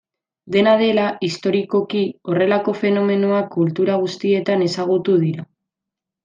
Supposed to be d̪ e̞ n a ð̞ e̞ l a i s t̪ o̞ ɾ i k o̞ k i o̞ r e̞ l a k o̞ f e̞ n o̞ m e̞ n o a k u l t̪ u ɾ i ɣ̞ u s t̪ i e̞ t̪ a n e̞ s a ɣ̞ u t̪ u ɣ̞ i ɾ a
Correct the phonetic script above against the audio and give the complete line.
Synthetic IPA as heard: d̪ e̞ n a ð̞ e̞ l a i s t̪ o̞ ɾ i k o̞ k i o̞ r e̞ l a k o̞ f e̞ n o̞ m e̞ n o a k u l t̪ u ɾ a ɣ̞ u s t̪ i e̞ t̪ a n e̞ s a ɣ̞ u t̪ u ð̞ i ɾ a